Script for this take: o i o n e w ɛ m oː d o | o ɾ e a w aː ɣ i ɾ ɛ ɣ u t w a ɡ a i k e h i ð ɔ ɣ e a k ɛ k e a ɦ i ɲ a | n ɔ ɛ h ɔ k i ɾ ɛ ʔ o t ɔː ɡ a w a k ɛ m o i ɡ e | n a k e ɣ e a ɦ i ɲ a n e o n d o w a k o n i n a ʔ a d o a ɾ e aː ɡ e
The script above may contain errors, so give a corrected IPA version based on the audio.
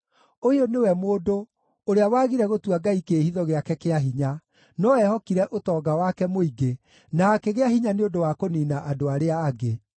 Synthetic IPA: o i o n e w ɛ m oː d o | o ɾ e a w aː ɣ i ɾ ɛ ɣ o t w a ɡ a i k e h i ð ɔ ɣ e a k ɛ k e a ɦ i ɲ a | n ɔ ɛ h ɔ k i ɾ ɛ ʔ o t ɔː ɡ a w a k ɛ m o i ɡ e | n a k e ɣ e a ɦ i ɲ a n e o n d o w a k o n i n a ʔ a d o a ɾ e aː ɡ e

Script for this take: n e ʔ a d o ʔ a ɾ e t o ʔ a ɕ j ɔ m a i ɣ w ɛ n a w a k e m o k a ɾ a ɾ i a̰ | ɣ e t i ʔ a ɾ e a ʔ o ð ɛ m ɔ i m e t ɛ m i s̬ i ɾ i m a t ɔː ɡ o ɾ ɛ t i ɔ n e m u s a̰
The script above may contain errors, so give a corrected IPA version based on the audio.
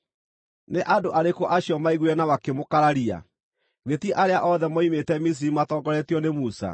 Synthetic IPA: n e ʔ a d o ʔ a ɾ e k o ʔ a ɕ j ɔ m a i ɣ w ɛ n a w a k e m o k a ɾ a ɾ i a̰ | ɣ e t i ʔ a ɾ e a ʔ ɔ ð ɛ m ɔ i m e t ɛ m i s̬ i ɾ i m a t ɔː ɡ ɔ ɾ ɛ t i ɔ n e m u s a̰

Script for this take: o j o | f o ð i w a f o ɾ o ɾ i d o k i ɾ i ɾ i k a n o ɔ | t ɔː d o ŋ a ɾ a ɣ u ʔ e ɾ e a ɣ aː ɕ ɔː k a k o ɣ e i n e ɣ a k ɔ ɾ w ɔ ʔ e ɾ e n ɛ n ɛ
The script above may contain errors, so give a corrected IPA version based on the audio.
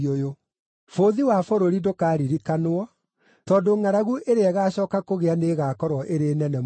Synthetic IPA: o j o | f o ð i w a f o ɾ o ɾ i d o k a ɾ i ɾ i k a n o ɔ | t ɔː d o ŋ a ɾ a ɣ u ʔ e ɾ e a ɣ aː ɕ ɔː k a k o ɣ e a n e ɣ a k ɔ ɾ w ɔ ʔ e ɾ e n ɛ n ɛ

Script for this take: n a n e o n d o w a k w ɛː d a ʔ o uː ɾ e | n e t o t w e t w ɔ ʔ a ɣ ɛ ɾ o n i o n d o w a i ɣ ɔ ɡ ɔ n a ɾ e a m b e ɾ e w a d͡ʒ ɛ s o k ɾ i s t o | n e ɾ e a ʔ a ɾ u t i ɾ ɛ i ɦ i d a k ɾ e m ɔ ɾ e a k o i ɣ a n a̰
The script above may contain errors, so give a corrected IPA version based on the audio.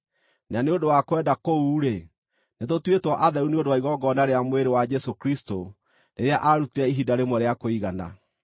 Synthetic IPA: n a n e o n d o w a k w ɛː d a k o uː ɾ e | n e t o t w e t w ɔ ʔ a ð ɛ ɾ u n e o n d o w a i ɣ ɔ ɡ ɔ n a ɾ e a m w e ɾ e w a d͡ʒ ɛ s o k ɾ i s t o | n e ɾ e a ʔ a ɾ u t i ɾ ɛ i ɦ i d a ɾ e m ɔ ɾ e a k o i ɣ a n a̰

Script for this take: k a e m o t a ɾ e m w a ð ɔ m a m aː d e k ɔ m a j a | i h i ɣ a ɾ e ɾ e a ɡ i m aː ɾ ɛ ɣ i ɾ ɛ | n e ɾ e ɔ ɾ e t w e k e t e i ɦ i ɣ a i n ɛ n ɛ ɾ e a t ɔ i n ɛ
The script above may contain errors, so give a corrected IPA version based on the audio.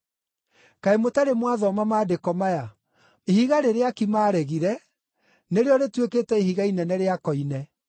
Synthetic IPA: k a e m o t a ɾ e m w a ð ɔ m a m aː d e k ɔ m a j a | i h i ɣ a ɾ e ɾ e a k i m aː ɾ ɛ ɣ i ɾ ɛ | n e ɾ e ɔ ɾ e t w e k e t ɛ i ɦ i ɣ a i n ɛ n ɛ ɾ e a k ɔ i n ɛ

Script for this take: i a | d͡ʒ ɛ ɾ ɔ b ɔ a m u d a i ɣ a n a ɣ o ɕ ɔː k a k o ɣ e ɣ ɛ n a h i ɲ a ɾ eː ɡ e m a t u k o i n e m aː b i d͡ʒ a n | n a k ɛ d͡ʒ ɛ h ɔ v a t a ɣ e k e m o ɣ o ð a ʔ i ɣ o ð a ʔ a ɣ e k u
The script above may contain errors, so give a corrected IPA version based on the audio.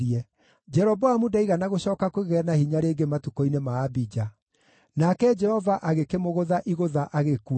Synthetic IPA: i ɛ | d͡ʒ ɛ ɾ ɔ b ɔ a m u d a i ɣ a n a ɣ o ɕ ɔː k a k o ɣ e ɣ ɛ n a h i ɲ a ɾ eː ɡ e m a t u k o i n e m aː b i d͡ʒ a | n a k ɛ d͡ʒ ɛ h ɔ v a ʔ a ɣ e k e m o ɣ o ð a ʔ i ɣ o ð a ʔ a ɣ e k u

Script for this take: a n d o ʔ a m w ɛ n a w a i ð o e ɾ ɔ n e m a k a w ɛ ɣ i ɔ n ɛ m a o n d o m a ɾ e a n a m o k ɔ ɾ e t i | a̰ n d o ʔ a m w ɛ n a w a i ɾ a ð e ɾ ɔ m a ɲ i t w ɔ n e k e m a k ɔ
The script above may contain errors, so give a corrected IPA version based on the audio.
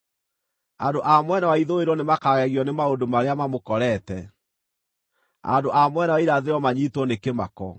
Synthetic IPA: a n d o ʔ a m w ɛ n a w a i ð o e ɾ ɔ n e m a k a ɣ ɛ ɣ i ɔ n e m a o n d o m a ɾ e a m a m o k ɔ ɾ ɛ t ɛ | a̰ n d o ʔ a m w ɛ n a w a i ɾ a ð e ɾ ɔ m a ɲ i t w ɔ n e k e m a k ɔ

